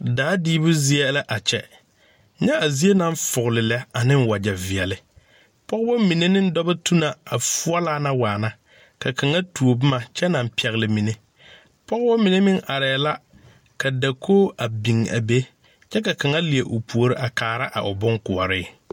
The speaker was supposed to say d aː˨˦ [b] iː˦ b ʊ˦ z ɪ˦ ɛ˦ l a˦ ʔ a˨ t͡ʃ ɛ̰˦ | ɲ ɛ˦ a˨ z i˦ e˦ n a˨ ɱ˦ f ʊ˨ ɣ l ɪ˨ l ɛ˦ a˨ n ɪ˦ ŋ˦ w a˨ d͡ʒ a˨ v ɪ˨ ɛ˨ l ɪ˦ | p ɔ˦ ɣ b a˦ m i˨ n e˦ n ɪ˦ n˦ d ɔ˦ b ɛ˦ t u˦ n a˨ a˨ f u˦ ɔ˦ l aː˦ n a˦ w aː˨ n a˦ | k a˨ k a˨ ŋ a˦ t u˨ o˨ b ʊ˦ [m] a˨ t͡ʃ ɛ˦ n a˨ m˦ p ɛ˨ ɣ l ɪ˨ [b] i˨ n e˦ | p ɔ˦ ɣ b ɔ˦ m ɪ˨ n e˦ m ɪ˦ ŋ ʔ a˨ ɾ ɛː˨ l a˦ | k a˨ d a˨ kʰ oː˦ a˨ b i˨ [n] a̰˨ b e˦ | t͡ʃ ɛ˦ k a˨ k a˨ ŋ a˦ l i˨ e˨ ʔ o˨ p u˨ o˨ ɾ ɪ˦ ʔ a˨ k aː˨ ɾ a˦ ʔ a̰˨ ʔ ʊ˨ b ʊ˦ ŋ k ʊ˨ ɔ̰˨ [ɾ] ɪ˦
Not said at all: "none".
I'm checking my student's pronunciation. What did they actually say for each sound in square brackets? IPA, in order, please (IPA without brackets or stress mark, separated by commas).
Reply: d, m, m, ŋ, ɾ